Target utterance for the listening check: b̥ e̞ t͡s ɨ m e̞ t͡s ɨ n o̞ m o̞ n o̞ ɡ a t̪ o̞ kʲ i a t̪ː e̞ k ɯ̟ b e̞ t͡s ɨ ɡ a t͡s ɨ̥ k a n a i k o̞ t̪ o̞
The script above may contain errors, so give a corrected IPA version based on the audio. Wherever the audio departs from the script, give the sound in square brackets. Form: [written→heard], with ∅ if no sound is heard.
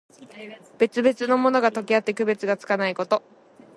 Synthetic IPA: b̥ e̞ t͡s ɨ [m→b] e̞ t͡s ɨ n o̞ m o̞ n o̞ ɡ a t̪ o̞ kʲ i a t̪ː e̞ k ɯ̟ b e̞ t͡s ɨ ɡ a t͡s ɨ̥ k a n a i k o̞ t̪ o̞